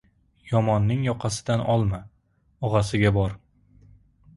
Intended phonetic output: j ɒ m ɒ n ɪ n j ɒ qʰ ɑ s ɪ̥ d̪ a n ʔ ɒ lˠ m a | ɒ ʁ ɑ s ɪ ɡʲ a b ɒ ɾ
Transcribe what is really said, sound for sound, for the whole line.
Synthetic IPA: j ɒ m ɒ nː ɪ ŋ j ɒ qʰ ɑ s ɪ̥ d̪ a n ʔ ɒ lˠ m a | ɒ ʁ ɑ s ɪ ɡʲ a b ɒ ɾ